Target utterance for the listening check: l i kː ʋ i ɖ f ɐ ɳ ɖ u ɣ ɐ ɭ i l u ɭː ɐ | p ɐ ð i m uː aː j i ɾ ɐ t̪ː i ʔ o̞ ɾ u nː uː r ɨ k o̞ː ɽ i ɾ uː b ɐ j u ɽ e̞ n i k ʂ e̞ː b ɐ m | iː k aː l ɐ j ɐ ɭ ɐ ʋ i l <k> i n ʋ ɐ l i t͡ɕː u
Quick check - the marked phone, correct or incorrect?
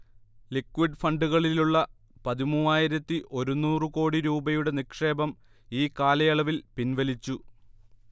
incorrect